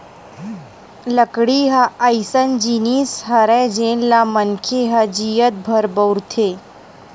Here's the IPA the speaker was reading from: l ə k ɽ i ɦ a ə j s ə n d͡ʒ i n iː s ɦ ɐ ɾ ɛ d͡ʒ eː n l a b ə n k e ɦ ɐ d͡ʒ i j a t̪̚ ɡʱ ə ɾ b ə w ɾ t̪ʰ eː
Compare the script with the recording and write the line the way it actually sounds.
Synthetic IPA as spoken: l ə k ɽ i ɦ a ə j s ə n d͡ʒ i n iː s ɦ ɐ ɾ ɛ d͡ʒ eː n l a m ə n kʰ e ɦ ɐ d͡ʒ i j ə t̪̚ bʱ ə ɾ b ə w ɾ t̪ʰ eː